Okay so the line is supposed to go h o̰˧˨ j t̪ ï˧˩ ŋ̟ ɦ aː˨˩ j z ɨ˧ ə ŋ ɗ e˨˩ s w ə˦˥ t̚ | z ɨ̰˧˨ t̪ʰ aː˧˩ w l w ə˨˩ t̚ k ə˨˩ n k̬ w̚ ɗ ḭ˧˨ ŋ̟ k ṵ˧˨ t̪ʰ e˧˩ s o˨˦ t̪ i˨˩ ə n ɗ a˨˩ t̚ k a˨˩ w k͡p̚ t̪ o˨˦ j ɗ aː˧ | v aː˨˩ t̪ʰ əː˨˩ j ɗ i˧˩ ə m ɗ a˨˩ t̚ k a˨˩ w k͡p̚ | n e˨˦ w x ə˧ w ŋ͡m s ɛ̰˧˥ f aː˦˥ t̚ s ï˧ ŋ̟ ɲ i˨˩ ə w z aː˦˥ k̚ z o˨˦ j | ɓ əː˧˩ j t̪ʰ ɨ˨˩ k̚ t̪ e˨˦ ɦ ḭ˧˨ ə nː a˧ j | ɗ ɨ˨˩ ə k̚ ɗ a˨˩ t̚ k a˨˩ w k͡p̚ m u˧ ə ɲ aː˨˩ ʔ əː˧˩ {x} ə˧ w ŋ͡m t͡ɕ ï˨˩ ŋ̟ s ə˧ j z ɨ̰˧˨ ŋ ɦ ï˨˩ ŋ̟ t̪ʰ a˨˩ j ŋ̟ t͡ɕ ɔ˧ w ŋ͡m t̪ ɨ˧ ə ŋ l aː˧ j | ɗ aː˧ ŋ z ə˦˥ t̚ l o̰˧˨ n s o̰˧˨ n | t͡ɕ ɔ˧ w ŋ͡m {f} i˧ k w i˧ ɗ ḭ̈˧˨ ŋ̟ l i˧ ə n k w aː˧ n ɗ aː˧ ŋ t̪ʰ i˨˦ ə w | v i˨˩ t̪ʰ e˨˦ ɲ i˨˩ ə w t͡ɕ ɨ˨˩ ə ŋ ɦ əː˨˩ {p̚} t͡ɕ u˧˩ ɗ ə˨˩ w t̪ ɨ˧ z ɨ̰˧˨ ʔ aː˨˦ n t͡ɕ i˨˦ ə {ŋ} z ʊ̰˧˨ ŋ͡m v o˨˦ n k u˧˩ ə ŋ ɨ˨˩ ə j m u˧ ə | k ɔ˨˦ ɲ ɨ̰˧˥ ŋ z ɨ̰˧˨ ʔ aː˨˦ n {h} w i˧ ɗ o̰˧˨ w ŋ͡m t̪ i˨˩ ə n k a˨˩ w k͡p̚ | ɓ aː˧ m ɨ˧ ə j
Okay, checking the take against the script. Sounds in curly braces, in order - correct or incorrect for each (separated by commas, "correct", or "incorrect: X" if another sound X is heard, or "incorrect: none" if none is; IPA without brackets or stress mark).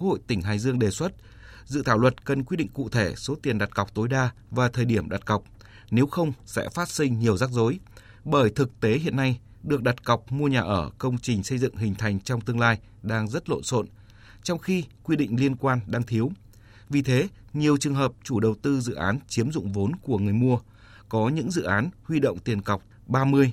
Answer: incorrect: k, incorrect: x, correct, incorrect: m, correct